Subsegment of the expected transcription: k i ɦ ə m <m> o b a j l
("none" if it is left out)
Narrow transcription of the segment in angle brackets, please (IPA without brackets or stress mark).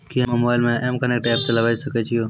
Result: m